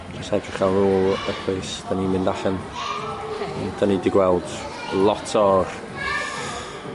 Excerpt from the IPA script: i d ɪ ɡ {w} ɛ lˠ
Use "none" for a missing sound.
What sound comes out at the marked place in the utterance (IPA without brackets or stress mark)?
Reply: w